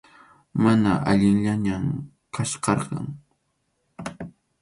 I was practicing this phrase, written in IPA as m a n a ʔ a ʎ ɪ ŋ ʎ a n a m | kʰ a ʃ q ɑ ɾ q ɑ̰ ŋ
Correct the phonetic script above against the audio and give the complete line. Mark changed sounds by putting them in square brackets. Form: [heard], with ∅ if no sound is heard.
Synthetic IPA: m a n a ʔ a ʎ ɪ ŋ ʎ a [ɲ] a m | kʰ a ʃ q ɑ ɾ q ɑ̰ ŋ